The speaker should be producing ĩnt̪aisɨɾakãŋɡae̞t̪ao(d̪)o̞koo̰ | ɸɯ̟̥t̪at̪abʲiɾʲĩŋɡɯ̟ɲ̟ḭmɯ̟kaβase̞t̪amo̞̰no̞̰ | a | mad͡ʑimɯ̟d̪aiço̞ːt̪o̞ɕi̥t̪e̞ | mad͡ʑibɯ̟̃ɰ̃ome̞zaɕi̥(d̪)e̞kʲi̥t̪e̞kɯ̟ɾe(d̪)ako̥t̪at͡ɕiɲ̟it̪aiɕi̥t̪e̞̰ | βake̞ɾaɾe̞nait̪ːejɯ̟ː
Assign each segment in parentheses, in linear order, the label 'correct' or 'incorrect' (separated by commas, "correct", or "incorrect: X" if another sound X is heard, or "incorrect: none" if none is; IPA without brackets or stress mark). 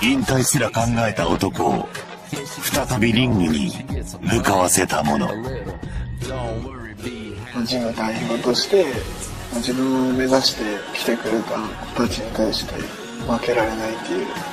incorrect: t̪, incorrect: t̪, incorrect: t̪